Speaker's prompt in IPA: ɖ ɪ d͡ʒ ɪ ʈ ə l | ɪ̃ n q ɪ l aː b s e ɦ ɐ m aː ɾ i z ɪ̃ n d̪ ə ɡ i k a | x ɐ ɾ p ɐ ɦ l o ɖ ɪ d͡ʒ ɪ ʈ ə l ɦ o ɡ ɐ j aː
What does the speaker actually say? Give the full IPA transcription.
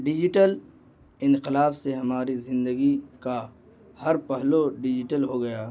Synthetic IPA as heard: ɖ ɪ d͡ʒ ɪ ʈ ə l | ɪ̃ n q ɪ l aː b s e ɦ ɐ m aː ɾ i z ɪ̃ n d̪ ə ɡ i k a | h ɐ ɾ p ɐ ɦ l o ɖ ɪ d͡ʒ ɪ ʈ ə l ɦ o ɡ ɐ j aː